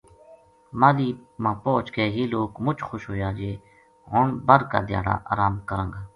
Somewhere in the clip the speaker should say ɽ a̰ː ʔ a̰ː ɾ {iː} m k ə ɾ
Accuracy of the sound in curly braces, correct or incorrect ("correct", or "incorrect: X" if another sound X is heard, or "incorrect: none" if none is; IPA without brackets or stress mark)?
incorrect: aː